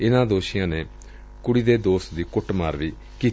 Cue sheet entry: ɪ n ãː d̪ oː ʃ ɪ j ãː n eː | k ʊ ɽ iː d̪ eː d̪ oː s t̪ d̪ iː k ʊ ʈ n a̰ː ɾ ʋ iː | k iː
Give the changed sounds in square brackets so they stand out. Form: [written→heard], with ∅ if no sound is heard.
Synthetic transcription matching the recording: ɪ n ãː d̪ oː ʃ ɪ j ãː n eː | k ʊ ɽ iː d̪ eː d̪ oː s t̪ d̪ iː k ʊ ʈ [n→m] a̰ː ɾ ʋ iː | k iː

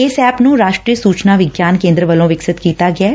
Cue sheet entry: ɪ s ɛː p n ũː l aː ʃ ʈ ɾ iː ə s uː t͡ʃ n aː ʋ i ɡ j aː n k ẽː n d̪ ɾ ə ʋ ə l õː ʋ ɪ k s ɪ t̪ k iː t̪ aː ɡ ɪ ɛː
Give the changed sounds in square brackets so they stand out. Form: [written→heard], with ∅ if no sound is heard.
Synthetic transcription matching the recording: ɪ s ɛː p n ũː [l→ɾ] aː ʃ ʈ ɾ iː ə s uː t͡ʃ n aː ʋ [i→ɪ] ɡ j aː n k ẽː n d̪ ɾ ə ʋ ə l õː ʋ ɪ k s ɪ t̪ k iː t̪ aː ɡ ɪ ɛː

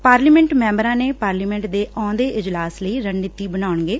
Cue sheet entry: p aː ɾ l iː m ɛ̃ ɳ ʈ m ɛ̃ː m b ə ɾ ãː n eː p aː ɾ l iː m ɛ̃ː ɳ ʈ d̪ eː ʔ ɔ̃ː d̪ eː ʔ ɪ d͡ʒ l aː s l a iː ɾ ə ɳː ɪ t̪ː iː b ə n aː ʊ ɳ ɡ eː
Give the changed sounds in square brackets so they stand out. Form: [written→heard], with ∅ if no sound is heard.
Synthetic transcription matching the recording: p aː ɾ l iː m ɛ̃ ɳ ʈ m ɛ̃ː m b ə ɾ ãː n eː p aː ɾ l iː m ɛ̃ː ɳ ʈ d̪ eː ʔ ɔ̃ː d̪ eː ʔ ɪ d͡ʒ l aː s l [a→ə] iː ɾ ə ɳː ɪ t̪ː iː b ə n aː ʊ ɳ ɡ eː

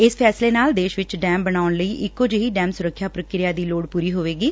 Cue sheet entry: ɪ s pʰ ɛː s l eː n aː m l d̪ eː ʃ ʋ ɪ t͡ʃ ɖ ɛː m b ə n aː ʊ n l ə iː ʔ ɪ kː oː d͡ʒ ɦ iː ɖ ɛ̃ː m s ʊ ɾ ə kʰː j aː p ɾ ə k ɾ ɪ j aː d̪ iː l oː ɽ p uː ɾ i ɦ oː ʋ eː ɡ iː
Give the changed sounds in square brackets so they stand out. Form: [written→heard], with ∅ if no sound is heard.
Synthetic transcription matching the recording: ɪ s pʰ ɛː s l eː n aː [m→∅] l d̪ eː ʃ ʋ ɪ t͡ʃ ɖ ɛː m b ə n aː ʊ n l ə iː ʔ ɪ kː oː d͡ʒ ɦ iː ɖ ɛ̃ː m s ʊ ɾ ə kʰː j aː p ɾ ə k ɾ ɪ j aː d̪ iː l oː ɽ p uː ɾ [i→iː] ɦ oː ʋ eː ɡ iː

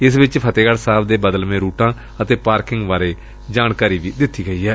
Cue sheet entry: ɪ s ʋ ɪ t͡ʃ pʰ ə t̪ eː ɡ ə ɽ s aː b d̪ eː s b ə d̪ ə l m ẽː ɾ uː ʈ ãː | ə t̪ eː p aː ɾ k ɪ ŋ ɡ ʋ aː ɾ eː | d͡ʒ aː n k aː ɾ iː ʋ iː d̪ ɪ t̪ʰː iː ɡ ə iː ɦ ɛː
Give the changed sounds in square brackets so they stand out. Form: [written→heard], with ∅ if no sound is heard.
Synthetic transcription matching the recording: ɪ s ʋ ɪ t͡ʃ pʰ ə t̪ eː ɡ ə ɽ s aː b d̪ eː [s→∅] b ə d̪ ə l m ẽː ɾ uː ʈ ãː | ə t̪ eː p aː ɾ k ɪ ŋ ɡ ʋ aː ɾ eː | d͡ʒ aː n k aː ɾ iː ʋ iː d̪ ɪ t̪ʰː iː ɡ ə iː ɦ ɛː

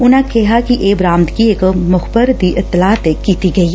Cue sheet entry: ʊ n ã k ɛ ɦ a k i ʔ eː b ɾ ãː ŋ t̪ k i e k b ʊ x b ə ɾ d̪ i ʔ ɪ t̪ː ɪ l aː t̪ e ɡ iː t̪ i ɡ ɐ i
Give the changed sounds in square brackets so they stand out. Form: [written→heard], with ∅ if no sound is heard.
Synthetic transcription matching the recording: ʊ n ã k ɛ ɦ a k i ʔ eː b ɾ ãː [ŋ→m] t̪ k i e k [b→m] ʊ x b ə ɾ d̪ i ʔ ɪ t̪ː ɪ l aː t̪ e [ɡ→k] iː t̪ i ɡ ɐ i

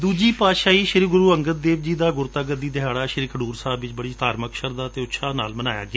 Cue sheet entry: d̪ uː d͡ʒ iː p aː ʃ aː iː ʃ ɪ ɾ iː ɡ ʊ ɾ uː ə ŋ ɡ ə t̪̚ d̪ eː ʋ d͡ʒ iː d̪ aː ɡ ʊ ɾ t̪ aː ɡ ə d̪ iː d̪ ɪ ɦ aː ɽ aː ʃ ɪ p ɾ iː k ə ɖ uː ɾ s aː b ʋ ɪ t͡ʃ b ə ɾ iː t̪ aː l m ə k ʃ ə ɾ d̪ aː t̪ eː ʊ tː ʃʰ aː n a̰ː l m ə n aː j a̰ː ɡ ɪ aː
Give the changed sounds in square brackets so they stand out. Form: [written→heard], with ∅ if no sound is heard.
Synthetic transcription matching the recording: d̪ uː d͡ʒ iː p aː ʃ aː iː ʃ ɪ ɾ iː ɡ ʊ ɾ uː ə ŋ ɡ ə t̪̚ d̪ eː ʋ d͡ʒ iː d̪ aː ɡ ʊ ɾ t̪ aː ɡ ə d̪ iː d̪ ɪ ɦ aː ɽ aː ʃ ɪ [p→∅] ɾ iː k ə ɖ uː ɾ s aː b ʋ ɪ t͡ʃ b ə [ɾ→ɽ] iː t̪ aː [l→ɾ] m ə k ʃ ə ɾ d̪ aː t̪ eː ʊ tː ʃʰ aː n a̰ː l m ə n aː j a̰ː ɡ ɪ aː

